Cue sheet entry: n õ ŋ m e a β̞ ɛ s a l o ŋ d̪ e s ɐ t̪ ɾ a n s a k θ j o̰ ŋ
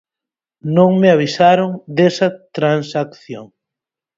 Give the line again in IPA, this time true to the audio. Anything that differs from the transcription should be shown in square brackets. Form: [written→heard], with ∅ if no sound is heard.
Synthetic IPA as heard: n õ ŋ m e a β̞ [ɛ→i] s a [l→ɾ] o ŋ d̪ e s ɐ t̪ ɾ a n s a k θ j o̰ ŋ